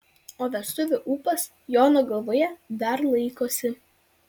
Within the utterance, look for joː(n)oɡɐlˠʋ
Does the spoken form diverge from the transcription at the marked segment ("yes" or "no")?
no